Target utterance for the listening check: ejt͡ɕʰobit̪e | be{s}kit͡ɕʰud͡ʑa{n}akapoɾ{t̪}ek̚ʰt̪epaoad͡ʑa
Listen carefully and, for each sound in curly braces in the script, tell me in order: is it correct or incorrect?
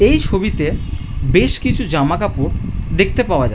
incorrect: ʃ, incorrect: m, incorrect: d̪

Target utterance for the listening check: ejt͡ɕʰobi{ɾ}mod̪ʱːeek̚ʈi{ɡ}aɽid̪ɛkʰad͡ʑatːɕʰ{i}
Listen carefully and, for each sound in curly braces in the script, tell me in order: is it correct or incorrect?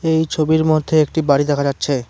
correct, incorrect: b, incorrect: e

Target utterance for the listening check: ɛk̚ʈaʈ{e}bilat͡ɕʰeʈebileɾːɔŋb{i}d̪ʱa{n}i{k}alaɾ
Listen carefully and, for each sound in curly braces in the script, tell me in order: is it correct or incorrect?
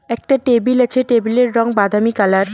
correct, incorrect: a, incorrect: m, correct

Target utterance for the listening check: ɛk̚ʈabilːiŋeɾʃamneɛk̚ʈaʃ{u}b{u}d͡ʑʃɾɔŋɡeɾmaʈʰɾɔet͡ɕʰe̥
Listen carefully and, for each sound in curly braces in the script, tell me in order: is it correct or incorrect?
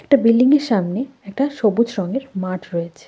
incorrect: o, correct

